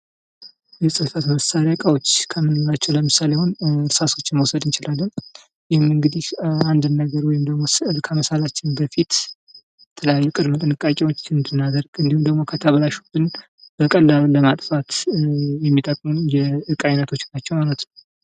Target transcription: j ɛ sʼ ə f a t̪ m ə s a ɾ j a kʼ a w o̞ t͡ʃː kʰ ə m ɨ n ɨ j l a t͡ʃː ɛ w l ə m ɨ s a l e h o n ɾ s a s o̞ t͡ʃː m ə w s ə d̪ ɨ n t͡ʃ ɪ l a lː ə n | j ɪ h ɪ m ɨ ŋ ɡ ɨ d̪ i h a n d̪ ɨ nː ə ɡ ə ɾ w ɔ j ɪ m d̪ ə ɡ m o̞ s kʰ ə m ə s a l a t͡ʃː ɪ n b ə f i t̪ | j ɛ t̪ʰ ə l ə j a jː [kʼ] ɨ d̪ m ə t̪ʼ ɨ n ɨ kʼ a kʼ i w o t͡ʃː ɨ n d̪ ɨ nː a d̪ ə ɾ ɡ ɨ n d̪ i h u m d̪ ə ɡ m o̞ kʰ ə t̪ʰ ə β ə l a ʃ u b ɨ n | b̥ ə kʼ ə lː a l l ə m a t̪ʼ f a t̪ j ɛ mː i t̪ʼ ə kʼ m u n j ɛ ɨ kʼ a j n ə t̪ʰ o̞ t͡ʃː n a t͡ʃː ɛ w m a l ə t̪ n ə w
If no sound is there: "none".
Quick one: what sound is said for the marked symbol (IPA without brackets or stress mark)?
kʼ